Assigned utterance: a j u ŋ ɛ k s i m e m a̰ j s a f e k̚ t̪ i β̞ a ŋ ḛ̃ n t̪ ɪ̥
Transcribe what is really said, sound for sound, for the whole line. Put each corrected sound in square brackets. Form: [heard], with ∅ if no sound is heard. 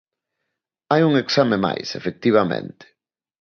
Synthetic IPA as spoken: a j u ŋ [e] k s [a] m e m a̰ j s [e] f e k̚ t̪ i β̞ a [m] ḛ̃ n t̪ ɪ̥